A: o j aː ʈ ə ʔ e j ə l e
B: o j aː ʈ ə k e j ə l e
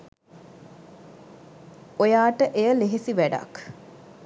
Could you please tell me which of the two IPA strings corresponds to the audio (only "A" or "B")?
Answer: A